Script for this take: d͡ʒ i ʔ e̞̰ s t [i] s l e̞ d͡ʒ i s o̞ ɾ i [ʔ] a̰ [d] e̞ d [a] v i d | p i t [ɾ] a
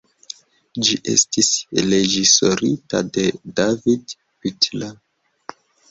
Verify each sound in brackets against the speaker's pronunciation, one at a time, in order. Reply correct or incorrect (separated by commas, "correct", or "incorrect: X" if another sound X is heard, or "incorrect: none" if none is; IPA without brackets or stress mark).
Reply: correct, incorrect: t, correct, correct, incorrect: l